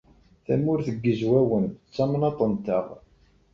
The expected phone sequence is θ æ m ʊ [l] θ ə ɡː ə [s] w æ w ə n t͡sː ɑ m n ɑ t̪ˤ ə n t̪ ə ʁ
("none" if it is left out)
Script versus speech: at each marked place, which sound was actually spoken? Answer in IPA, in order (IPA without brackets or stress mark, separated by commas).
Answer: ɾ, z